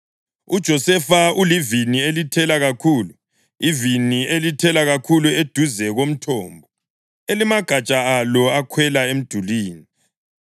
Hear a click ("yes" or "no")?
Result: no